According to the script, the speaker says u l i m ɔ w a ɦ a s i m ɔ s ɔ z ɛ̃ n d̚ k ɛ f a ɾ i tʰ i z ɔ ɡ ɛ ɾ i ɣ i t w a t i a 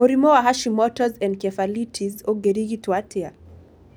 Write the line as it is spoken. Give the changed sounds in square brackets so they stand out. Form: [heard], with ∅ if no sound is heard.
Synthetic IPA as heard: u [ɾ] i m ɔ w a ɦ a [ʃ] i m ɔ [t] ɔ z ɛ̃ n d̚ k ɛ f a [l] i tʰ i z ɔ ɡ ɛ ɾ i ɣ i t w a t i a